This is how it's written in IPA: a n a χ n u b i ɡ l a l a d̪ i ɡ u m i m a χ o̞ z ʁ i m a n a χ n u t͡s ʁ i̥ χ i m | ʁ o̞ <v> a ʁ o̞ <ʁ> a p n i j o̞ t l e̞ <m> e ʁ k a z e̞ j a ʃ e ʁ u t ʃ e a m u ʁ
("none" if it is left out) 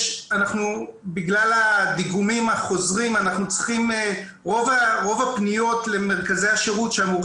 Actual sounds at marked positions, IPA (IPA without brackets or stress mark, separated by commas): v, v, m